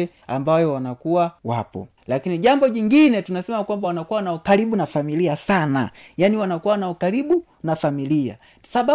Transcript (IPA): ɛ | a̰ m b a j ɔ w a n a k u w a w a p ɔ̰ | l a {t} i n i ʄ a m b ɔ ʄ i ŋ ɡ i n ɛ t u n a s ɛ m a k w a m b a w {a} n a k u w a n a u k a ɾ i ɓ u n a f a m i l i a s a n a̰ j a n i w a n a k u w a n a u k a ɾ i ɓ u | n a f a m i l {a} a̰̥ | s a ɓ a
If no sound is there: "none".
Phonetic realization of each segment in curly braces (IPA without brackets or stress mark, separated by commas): k, a, i